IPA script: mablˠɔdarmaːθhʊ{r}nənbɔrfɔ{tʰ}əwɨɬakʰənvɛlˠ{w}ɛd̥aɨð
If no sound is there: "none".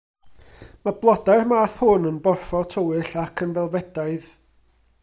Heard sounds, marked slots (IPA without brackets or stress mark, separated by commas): none, tʰ, v